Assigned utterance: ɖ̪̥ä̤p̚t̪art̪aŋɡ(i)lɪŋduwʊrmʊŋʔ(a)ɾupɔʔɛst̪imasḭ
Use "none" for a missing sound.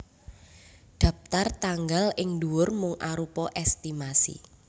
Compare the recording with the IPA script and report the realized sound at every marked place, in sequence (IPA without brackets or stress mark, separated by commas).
a, a